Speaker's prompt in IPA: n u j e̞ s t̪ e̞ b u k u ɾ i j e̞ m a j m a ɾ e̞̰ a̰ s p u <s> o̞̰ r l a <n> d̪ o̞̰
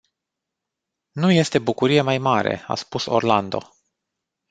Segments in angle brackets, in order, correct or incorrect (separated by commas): correct, correct